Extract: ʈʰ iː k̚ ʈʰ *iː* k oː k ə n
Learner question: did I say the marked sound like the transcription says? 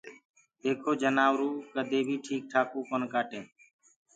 no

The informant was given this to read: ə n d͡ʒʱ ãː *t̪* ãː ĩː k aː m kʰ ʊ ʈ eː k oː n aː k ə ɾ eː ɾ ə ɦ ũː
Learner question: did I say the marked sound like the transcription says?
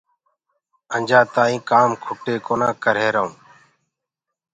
yes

